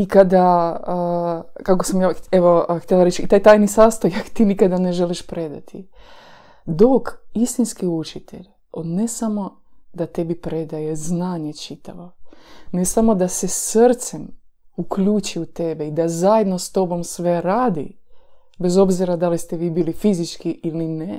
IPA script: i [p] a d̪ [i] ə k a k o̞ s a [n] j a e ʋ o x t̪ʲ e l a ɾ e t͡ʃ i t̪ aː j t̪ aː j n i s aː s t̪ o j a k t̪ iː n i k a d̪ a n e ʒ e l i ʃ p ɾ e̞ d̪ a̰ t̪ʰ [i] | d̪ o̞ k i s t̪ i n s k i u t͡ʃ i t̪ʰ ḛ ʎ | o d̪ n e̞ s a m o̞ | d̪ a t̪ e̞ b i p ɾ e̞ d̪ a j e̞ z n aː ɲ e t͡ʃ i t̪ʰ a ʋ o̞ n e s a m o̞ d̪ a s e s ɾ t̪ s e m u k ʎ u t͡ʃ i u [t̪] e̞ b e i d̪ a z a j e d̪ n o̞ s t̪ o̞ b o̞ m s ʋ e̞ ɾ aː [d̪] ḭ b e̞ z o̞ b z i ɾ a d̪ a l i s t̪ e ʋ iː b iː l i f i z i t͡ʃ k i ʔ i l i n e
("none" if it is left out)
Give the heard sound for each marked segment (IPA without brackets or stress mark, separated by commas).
k, a, m, i, t̪, d̪